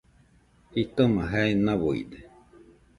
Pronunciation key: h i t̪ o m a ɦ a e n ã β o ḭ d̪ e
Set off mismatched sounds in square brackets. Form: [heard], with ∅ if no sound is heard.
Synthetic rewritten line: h i t̪ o m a ɦ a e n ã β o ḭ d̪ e

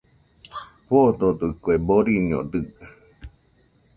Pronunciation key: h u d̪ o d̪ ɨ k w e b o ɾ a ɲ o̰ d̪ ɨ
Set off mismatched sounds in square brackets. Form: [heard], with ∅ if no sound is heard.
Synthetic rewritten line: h [o] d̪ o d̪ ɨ k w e b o ɾ [i] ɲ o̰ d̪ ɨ

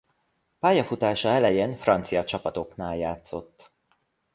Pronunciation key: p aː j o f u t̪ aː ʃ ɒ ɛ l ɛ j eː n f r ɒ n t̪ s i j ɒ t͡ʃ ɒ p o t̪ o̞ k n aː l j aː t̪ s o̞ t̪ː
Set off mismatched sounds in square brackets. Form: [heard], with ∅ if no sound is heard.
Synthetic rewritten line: p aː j [ɒ] f u t̪ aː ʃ ɒ ɛ l ɛ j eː n f r ɒ n t̪ s i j ɒ t͡ʃ ɒ p [ɒ] t̪ o̞ k n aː l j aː t̪ s o̞ t̪ː

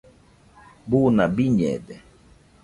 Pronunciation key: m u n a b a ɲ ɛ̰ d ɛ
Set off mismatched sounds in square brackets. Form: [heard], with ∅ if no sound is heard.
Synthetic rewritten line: [b] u n a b [i] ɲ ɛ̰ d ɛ

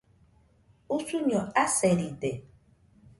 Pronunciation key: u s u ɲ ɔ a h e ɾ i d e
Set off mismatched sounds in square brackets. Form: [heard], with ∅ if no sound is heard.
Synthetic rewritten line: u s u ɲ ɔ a [s] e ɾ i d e

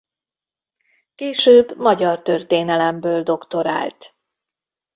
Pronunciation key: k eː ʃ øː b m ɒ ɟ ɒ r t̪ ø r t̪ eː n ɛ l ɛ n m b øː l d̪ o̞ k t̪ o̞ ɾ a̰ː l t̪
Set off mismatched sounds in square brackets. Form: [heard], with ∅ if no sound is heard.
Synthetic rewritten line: k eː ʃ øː b m ɒ ɟ ɒ r t̪ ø r t̪ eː n ɛ l ɛ [∅] m b øː l d̪ o̞ k t̪ o̞ ɾ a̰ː l t̪

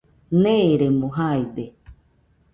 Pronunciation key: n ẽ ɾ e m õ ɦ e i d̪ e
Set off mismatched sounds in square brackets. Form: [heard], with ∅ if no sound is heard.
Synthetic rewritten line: n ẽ ɾ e m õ ɦ [a] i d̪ e

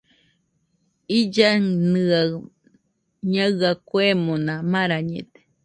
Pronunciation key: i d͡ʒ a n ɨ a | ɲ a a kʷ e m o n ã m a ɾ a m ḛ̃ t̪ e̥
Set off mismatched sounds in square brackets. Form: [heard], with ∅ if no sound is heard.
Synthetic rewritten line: i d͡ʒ a n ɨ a | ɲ a a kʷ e m o n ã m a ɾ a [ɲ] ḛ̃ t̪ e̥

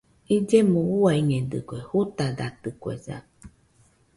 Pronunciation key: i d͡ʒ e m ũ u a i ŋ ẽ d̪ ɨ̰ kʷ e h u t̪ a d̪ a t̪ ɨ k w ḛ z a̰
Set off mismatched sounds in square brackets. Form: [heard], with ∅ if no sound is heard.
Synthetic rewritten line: i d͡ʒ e m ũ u a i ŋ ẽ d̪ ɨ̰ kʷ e h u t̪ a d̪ a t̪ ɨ k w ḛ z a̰

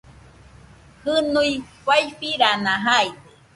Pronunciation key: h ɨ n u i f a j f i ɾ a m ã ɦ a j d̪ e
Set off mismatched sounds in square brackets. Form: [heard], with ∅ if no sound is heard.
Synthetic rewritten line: h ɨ n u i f a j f i ɾ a [n] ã ɦ a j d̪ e

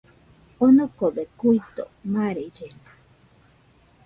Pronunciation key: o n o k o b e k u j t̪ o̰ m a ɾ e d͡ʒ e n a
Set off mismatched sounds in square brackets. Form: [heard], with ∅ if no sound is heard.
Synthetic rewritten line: o n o k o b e k u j t̪ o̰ m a ɾ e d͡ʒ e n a

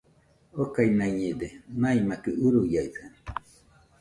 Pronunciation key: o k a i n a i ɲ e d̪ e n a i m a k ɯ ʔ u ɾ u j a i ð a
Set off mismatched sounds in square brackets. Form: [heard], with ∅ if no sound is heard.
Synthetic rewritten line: o k a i n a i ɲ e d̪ e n a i m a k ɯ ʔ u ɾ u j a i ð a

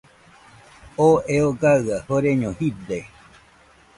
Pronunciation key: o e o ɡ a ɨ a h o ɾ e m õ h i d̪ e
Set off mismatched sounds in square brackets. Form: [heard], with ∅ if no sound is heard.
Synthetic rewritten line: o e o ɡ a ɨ a h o ɾ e [ɲ] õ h i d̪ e

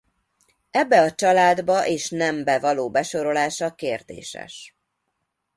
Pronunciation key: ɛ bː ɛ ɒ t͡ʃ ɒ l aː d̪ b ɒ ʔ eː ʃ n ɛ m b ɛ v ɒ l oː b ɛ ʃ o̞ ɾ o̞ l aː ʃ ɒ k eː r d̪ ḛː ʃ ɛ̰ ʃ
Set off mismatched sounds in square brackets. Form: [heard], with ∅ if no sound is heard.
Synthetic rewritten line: ɛ bː ɛ ɒ t͡ʃ ɒ l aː d̪ b ɒ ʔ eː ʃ n ɛ m b ɛ v ɒ l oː b ɛ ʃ o̞ ɾ o̞ l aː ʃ ɒ k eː r d̪ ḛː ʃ ɛ̰ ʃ

